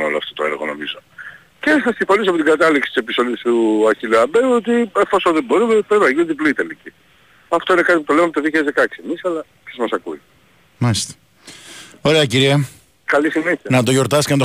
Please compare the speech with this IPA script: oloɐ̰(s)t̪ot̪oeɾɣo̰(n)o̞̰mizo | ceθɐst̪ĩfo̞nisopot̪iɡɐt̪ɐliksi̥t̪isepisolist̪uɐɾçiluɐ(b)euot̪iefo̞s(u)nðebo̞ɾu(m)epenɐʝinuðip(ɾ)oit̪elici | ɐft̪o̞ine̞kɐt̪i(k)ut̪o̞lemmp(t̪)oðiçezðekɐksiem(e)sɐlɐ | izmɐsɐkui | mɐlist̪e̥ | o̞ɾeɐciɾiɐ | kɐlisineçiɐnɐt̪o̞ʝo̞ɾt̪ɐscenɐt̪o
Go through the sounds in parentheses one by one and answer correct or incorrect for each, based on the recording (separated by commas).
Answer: incorrect, correct, correct, incorrect, correct, incorrect, incorrect, correct, incorrect